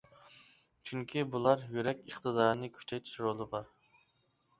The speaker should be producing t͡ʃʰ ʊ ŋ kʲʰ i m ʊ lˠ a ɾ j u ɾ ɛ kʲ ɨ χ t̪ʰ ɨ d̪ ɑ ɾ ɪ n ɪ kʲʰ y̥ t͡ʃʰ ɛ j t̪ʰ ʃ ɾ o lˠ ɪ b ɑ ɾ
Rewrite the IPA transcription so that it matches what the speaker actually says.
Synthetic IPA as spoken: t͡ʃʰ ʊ ŋ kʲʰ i b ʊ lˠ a ɾ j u ɾ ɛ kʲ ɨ χ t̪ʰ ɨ d̪ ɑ ɾ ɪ n ɪ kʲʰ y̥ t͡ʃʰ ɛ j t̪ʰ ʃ ɾ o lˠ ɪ b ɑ ɾ